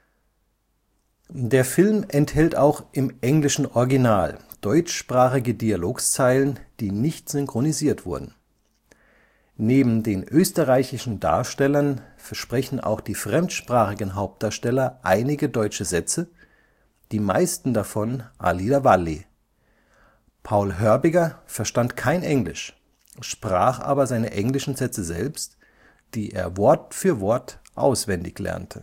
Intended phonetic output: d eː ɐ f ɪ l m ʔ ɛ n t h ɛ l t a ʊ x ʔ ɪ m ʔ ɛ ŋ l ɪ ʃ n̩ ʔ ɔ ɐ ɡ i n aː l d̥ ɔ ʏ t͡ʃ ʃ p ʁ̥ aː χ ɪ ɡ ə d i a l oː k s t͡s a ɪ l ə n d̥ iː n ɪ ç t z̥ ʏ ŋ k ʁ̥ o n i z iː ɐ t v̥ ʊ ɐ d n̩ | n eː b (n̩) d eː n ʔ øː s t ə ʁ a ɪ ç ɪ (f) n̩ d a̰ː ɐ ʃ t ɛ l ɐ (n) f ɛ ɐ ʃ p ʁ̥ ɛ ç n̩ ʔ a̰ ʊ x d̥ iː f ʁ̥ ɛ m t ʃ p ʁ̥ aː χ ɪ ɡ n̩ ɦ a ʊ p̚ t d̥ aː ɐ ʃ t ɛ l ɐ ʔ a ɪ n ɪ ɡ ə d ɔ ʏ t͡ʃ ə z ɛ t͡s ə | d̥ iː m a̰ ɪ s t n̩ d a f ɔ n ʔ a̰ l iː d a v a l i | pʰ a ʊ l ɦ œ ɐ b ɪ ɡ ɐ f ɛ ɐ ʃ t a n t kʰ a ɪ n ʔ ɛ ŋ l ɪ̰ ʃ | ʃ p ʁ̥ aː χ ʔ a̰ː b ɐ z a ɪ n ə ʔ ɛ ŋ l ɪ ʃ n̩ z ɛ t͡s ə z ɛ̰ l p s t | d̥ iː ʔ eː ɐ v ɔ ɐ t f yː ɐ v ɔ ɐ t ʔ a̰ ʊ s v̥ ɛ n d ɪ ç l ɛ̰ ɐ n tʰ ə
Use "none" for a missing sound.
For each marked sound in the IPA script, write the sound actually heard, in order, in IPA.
m̩, ʃ, n

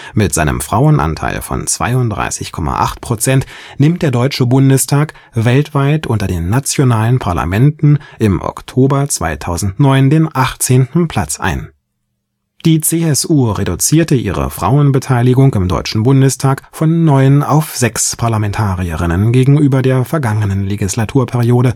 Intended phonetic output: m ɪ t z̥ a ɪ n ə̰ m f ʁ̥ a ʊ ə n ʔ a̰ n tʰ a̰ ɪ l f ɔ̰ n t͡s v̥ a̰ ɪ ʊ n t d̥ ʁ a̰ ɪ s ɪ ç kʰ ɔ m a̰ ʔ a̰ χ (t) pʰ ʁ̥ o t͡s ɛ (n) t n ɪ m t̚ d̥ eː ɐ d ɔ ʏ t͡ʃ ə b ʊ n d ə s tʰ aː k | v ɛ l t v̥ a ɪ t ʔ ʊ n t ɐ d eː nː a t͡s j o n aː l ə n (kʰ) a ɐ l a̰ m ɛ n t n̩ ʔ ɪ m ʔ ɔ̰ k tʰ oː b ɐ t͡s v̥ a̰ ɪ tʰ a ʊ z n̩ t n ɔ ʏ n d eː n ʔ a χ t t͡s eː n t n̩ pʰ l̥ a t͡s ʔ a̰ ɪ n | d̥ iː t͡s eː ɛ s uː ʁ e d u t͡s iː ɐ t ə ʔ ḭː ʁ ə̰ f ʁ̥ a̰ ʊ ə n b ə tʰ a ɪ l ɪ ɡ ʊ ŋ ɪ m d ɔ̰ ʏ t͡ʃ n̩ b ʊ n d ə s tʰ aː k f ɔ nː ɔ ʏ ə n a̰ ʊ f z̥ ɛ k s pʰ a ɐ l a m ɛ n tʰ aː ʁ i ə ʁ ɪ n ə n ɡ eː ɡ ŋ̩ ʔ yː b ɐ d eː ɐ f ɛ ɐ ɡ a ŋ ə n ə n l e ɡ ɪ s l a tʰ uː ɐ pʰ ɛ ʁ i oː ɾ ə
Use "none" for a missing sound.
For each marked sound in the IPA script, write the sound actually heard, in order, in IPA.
t, n, pʰ

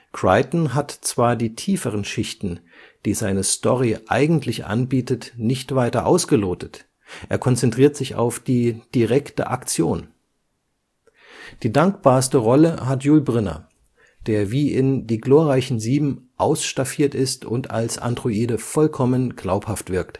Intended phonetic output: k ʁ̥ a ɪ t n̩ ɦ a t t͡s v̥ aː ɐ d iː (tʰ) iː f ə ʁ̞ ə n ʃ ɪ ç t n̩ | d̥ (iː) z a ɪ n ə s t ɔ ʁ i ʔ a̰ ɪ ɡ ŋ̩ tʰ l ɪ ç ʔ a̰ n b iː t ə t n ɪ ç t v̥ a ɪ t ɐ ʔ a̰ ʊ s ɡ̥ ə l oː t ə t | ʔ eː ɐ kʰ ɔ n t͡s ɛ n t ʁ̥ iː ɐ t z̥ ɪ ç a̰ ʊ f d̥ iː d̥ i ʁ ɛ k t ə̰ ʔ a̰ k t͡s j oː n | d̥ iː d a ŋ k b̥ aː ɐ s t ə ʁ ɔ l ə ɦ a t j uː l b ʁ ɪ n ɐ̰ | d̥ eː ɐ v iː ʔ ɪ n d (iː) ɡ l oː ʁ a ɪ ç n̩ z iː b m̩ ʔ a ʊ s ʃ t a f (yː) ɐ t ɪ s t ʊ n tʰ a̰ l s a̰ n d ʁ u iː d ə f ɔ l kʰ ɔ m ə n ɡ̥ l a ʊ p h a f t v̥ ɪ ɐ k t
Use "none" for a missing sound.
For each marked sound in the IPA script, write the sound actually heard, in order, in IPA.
tʰ, iː, iː, iː

